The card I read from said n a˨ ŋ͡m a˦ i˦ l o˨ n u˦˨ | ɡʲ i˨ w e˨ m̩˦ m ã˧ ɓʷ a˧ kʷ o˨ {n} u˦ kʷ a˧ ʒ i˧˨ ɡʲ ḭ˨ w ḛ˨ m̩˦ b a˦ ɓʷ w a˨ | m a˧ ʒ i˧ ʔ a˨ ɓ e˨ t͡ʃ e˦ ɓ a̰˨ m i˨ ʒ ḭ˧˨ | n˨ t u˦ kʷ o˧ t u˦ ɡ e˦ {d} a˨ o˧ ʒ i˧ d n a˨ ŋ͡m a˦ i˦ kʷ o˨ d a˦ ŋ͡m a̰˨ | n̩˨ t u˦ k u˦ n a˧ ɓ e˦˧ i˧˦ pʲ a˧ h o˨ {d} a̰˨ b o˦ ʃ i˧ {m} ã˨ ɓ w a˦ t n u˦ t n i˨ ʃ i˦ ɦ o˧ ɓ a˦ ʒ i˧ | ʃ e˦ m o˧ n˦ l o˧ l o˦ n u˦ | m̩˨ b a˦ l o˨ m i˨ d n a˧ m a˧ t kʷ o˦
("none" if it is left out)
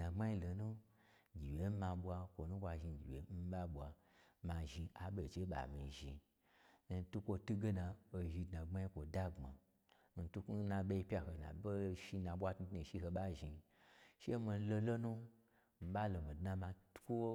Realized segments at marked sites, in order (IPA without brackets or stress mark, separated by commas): n, n, n, n